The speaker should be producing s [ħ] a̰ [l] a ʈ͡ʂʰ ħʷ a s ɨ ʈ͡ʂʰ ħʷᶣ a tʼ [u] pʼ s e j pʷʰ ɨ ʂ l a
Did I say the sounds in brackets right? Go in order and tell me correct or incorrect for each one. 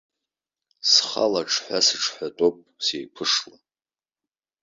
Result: incorrect: χ, correct, incorrect: o

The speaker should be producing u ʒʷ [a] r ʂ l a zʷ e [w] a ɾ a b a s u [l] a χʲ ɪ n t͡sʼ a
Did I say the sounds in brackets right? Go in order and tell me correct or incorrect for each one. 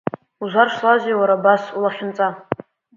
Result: correct, correct, correct

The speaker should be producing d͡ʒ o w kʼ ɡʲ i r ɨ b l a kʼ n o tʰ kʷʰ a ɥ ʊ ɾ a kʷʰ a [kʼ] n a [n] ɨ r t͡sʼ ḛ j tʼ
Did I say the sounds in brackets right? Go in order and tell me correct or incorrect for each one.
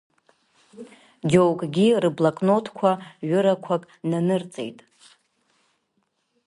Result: correct, correct

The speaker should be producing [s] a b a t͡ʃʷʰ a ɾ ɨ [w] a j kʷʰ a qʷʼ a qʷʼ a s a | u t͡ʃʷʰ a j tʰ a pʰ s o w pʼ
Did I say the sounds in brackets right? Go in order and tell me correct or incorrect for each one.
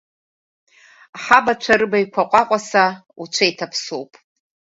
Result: incorrect: ħ, incorrect: b

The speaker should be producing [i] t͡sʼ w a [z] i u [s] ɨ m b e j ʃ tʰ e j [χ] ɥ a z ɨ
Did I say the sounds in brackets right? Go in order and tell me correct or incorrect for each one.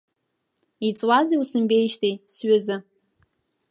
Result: correct, correct, correct, incorrect: s

